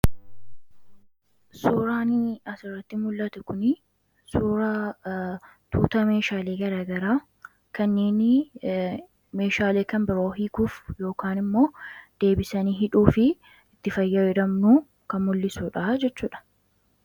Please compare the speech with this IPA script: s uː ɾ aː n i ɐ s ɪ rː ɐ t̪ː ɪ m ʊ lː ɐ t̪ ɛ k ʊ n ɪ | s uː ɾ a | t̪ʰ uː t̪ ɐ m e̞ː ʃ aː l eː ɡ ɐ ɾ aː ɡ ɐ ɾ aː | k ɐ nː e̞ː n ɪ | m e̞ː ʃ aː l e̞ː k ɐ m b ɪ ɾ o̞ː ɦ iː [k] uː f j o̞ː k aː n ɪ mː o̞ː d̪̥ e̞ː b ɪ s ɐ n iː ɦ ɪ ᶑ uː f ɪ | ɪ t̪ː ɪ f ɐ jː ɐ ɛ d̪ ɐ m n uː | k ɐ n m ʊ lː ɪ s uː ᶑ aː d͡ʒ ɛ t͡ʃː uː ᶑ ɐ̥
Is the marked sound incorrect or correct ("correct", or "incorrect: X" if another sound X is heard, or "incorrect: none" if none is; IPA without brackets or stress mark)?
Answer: correct